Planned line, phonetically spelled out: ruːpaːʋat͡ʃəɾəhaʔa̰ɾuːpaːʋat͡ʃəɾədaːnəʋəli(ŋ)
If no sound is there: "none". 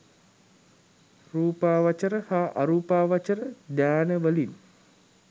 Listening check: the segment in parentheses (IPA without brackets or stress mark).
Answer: n